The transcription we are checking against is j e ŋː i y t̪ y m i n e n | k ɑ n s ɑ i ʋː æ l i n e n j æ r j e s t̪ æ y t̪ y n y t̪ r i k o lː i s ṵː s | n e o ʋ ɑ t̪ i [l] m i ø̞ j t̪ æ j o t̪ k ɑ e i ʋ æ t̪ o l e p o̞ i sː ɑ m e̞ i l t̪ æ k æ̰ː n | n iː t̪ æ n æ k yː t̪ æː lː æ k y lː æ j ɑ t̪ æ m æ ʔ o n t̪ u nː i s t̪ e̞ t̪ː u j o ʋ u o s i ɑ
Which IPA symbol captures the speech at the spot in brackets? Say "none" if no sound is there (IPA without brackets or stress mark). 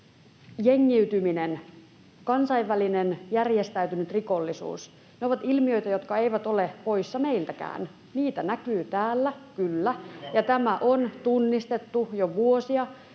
l